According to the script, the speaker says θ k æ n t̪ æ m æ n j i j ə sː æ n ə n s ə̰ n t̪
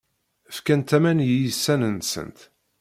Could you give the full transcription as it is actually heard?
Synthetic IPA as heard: f k æ n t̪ æ m æ n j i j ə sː æ n ə n s ə̰ n t̪